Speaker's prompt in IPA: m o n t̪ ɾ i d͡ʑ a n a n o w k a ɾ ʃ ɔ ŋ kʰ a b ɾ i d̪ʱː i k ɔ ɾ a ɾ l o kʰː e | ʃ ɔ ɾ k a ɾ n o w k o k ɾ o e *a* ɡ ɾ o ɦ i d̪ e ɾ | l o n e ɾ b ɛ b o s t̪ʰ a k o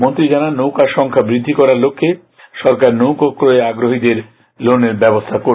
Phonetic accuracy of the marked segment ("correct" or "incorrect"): correct